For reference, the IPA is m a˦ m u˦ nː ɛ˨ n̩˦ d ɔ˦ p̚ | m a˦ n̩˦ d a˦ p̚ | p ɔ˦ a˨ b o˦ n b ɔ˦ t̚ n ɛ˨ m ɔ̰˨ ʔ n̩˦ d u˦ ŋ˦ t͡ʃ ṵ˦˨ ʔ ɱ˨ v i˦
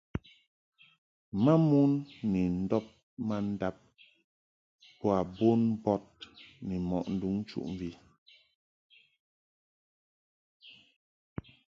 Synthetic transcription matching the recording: m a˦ m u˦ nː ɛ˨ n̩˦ d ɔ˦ p̚ | m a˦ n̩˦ d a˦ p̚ | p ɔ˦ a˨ b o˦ n b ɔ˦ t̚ n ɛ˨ m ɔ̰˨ ʔ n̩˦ d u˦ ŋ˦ t͡ʃ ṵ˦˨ ʔ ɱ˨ v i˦